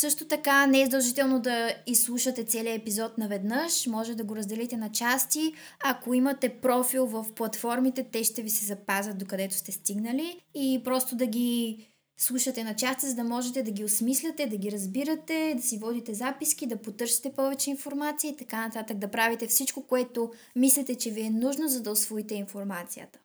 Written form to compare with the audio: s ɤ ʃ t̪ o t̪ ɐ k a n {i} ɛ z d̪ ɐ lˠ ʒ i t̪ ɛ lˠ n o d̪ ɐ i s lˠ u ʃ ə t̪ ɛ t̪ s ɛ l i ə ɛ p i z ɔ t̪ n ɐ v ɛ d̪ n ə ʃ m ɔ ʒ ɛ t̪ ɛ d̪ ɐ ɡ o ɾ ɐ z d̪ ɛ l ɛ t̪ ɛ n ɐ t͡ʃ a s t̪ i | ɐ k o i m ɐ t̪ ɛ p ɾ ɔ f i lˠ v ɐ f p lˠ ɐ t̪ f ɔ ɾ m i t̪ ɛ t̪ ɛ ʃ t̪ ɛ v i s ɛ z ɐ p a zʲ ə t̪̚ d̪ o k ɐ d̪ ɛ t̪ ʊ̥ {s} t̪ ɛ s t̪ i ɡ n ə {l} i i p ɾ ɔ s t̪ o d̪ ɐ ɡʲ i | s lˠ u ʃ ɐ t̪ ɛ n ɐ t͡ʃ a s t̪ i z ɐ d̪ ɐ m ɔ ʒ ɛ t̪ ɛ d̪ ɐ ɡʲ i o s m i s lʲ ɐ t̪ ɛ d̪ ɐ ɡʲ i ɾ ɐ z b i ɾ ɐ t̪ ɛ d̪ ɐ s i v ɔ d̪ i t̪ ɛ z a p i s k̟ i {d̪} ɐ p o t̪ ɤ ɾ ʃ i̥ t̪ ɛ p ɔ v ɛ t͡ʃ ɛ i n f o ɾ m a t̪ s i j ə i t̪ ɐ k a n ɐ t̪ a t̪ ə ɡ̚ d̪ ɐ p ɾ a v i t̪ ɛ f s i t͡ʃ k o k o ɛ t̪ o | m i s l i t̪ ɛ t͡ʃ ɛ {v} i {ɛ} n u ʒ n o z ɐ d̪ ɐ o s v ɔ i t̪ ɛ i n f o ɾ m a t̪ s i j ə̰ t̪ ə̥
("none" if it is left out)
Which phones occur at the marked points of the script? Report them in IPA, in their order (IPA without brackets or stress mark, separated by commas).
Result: ɛ, s, l, d̪, v, ɛ